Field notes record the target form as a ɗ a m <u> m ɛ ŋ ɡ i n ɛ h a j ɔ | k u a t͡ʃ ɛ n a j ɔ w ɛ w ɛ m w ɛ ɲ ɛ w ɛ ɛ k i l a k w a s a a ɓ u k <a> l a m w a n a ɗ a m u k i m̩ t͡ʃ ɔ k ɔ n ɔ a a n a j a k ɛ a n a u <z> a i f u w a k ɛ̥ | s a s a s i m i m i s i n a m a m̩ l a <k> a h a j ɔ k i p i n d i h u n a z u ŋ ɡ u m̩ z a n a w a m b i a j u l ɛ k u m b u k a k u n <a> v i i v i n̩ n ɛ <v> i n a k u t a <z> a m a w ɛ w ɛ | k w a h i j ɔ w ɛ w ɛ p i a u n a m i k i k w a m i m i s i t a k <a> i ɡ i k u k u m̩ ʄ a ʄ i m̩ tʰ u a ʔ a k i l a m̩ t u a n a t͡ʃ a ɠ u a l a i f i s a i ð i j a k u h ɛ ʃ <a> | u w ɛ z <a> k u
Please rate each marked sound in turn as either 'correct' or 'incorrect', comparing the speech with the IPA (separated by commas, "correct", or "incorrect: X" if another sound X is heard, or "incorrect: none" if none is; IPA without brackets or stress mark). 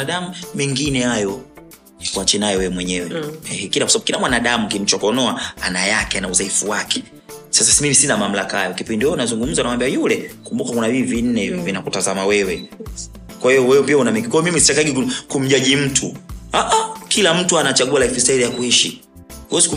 correct, incorrect: i, correct, correct, correct, correct, correct, correct, incorrect: i, incorrect: i